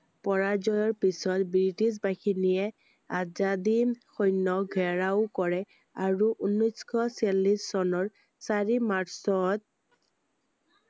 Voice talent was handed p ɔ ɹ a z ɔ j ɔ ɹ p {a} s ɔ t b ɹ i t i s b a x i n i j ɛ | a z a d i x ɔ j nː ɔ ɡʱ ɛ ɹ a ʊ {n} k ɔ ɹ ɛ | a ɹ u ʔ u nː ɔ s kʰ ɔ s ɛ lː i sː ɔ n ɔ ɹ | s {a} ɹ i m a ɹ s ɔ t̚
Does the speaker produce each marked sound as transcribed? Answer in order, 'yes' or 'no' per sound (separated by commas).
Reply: no, no, yes